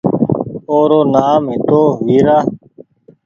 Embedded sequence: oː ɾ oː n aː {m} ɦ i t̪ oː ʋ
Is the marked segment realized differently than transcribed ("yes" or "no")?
no